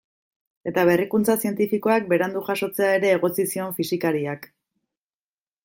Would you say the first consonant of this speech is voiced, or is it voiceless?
voiceless